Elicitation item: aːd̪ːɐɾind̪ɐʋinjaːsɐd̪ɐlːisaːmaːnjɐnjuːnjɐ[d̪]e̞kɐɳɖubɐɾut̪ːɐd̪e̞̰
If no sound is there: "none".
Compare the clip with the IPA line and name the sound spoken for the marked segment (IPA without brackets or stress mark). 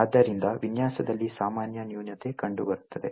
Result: t̪